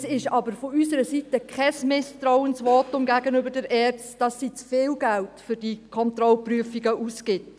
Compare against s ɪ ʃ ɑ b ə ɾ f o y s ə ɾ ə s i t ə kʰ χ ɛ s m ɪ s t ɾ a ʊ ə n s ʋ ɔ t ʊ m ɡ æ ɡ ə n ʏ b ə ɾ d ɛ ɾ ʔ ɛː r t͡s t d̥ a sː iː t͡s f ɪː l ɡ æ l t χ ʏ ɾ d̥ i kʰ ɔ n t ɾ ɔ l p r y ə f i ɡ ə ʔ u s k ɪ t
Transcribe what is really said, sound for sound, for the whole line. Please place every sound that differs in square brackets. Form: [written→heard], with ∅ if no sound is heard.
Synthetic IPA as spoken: s ɪ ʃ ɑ b ə ɾ f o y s ə ɾ ə s i t ə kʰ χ ɛ s m ɪ s t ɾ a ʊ ə n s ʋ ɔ t ʊ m ɡ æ ɡ ə n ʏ b ə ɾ d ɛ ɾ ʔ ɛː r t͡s t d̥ [a→ɑ] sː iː t͡s f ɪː l ɡ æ l t [χ→f] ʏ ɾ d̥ i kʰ ɔ n t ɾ ɔ l p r y ə f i ɡ ə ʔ u s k ɪ t